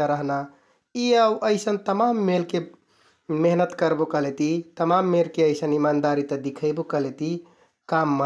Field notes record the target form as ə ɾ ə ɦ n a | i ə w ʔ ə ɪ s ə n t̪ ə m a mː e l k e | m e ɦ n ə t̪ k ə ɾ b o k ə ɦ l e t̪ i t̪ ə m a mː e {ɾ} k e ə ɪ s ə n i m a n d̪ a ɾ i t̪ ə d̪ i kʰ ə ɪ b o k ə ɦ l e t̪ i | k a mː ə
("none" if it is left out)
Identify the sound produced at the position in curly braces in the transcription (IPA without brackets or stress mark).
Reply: l